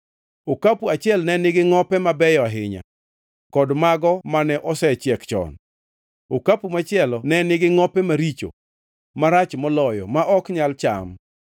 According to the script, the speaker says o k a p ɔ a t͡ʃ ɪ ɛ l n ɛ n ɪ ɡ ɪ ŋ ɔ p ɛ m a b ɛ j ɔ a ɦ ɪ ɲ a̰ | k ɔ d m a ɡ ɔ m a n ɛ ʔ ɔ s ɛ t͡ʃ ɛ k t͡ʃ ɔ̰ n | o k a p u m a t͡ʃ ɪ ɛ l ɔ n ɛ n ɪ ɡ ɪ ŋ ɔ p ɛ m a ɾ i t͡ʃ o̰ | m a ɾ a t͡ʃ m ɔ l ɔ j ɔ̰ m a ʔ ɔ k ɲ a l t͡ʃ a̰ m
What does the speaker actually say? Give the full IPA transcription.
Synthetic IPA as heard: o k a p u a t͡ʃ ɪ ɛ l n ɛ n ɪ ɡ ɪ ŋ ɔ p ɛ m a b ɛ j ɔ a ɦ ɪ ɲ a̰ | k ɔ d m a ɡ ɔ m a n ɛ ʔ ɔ s ɛ t͡ʃ ɛ k t͡ʃ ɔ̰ n | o k a p u m a t͡ʃ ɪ ɛ l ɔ n ɛ n ɪ ɡ ɪ ŋ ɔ p ɛ m a ɾ i t͡ʃ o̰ | m a ɾ a t͡ʃ m ɔ l ɔ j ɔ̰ m a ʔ ɔ k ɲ a l t͡ʃ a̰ m

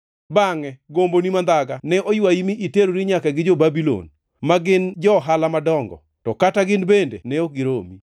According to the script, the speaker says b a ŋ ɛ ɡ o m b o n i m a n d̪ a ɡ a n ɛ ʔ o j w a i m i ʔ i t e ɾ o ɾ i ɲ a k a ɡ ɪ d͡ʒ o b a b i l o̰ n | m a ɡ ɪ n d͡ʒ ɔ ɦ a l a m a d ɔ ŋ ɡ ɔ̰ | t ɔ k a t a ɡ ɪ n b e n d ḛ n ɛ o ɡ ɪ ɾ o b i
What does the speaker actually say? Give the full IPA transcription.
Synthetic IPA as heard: b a ŋ ɛ ɡ o m b o n i m a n d̪ a ɡ a n ɛ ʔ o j w a i m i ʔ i t e ɾ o ɾ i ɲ a k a ɡ ɪ d͡ʒ o b a b i l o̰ n | m a ɡ ɪ n d͡ʒ ɔ ɦ a l a m a d ɔ ŋ ɡ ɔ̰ | t ɔ k a t a ɡ ɪ n b e n d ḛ n ɛ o ɡ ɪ ɾ o m i

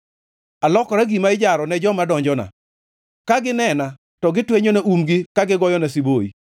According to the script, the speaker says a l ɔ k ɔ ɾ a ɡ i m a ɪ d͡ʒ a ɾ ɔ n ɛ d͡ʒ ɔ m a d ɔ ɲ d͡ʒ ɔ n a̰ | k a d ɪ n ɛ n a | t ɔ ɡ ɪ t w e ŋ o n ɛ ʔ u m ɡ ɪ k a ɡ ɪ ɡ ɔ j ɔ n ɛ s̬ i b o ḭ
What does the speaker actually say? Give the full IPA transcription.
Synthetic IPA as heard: a l ɔ k ɔ ɾ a ɡ i m a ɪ d͡ʒ a ɾ ɔ n ɛ d͡ʒ ɔ m a d ɔ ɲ d͡ʒ ɔ n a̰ | k a ɡ ɪ n ɛ n a | t ɔ ɡ ɪ t w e ɲ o n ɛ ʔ u m ɡ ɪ k a ɡ ɪ ɡ ɔ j ɔ n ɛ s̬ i b o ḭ

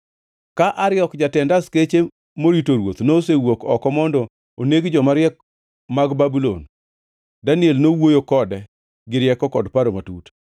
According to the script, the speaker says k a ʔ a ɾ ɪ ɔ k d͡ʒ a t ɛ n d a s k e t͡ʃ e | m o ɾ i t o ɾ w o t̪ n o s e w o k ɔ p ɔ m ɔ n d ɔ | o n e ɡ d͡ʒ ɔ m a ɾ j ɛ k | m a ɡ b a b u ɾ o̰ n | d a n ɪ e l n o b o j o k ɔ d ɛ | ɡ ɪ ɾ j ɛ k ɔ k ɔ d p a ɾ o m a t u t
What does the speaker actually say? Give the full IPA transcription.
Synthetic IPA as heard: k a ʔ a ɾ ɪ ɔ k d͡ʒ a t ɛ n d a s k e t͡ʃ e | m o ɾ i t o ɾ w o t̪ n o s e w o k ɔ k ɔ m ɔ n d ɔ | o n e ɡ d͡ʒ ɔ m a ɾ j ɛ k | m a ɡ b a b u l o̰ n | d a n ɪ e l n o w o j o k ɔ d ɛ | ɡ ɪ ɾ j ɛ k ɔ k ɔ d p a ɾ o m a t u t

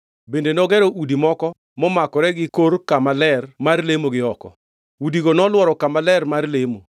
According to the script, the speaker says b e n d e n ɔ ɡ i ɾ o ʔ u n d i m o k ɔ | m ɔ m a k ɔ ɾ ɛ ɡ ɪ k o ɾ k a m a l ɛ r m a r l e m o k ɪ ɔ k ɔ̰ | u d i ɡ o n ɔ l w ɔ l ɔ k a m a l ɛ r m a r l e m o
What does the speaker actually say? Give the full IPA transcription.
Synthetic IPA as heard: b e n d e n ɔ ɡ ɛ ɾ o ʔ u d i m ɔ k ɔ | m ɔ m a k ɔ ɾ ɛ ɡ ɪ k o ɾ k a m a l ɛ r m a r l e m o ɡ ɪ ɔ k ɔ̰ | u d i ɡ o n ɔ l w ɔ ɾ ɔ k a m a l ɛ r m a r l e m o

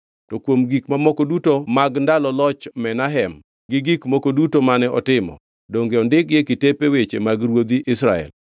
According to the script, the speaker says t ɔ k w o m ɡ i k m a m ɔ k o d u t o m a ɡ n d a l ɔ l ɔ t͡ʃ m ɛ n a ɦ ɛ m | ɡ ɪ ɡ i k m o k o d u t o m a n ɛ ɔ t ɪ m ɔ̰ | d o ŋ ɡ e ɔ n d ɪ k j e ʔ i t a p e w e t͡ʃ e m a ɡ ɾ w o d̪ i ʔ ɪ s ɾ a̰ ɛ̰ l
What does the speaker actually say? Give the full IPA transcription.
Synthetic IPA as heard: t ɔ k w o m ɡ i k m a m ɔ k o d u t o m a ɡ n d a l ɔ l ɔ t͡ʃ m ɛ n a ɦ ɛ m | ɡ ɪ ɡ i k m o k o d u t o m a n ɛ ɔ t ɪ m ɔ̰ | d o ŋ ɡ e ɔ n d ɪ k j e k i t e p e w e t͡ʃ e m a ɡ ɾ w o d̪ i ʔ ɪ s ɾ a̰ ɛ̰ l

